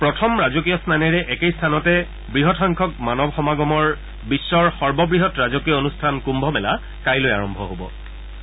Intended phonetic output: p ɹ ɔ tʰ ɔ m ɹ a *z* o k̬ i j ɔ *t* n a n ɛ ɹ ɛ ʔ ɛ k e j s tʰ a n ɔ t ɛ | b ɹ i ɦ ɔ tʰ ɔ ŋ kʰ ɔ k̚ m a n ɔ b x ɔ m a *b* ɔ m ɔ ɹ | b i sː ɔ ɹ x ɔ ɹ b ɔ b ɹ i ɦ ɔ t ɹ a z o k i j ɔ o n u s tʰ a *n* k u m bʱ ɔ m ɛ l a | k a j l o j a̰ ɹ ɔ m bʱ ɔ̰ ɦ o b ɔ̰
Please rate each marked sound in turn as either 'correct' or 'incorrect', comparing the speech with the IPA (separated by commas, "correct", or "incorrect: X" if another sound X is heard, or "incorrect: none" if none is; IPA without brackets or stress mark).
correct, incorrect: s, incorrect: ɡ, correct